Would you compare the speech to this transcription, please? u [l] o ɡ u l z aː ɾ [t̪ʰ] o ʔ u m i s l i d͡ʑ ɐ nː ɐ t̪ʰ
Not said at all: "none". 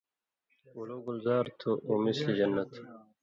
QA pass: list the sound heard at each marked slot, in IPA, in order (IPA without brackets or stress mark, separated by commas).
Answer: l, t̪ʰ